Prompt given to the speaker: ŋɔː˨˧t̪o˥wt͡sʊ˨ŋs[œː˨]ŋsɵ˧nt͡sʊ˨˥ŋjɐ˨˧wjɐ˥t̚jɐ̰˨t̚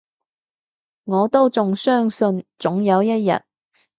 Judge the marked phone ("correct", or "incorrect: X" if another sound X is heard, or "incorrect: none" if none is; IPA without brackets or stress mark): incorrect: œː˥